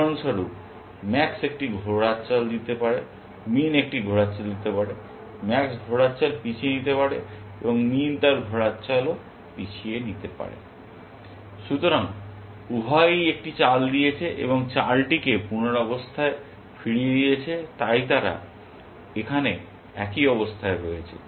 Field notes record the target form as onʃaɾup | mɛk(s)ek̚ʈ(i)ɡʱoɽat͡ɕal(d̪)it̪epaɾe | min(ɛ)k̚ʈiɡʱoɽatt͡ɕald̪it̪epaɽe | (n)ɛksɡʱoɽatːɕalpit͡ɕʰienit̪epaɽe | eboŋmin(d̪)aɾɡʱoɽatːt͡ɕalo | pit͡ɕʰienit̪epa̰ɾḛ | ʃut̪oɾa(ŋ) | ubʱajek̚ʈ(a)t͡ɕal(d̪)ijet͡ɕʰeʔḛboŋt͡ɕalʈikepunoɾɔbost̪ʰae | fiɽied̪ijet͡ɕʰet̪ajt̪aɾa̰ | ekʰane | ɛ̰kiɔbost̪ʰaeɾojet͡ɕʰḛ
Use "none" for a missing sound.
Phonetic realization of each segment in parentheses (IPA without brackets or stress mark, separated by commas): s, i, d̪, e, m, t̪, ŋ, i, d̪